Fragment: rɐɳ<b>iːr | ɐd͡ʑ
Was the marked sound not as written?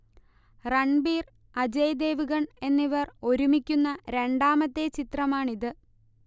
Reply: no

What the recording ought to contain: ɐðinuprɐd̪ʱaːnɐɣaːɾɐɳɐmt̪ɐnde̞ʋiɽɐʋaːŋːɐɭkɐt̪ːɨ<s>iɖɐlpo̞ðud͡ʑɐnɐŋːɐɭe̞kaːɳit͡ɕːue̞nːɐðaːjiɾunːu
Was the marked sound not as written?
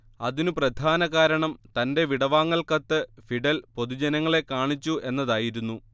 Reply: yes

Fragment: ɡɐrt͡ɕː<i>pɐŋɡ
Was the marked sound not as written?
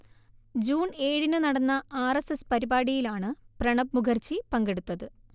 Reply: no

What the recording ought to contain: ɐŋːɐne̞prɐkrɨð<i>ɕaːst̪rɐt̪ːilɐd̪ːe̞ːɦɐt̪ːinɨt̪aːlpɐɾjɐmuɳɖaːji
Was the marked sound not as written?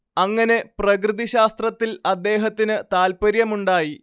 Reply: no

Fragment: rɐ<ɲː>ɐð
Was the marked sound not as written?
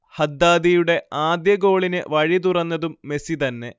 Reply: yes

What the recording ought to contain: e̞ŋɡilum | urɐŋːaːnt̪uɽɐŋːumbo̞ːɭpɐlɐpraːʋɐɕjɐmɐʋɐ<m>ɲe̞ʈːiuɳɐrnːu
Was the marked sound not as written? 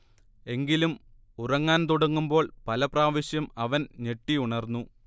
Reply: yes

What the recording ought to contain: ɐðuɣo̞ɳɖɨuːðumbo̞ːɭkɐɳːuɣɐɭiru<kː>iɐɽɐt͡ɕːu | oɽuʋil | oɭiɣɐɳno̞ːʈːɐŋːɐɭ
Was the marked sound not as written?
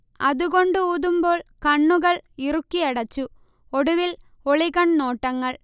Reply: no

